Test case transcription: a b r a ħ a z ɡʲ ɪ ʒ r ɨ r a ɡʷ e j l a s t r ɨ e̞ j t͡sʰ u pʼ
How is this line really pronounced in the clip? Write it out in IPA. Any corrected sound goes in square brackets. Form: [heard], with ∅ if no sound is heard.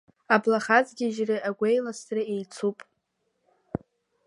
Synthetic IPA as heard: a b [l] a [χ] a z ɡʲ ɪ ʒ r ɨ [∅] a ɡʷ e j l a s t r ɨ e̞ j t͡sʰ u pʼ